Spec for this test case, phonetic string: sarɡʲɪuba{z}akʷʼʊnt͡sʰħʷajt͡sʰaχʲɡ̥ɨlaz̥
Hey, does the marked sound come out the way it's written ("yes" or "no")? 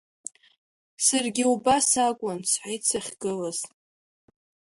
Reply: no